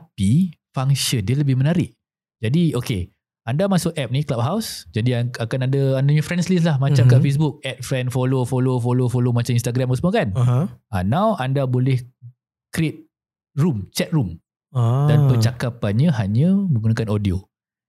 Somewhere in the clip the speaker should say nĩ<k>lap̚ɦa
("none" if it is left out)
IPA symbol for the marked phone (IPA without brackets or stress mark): k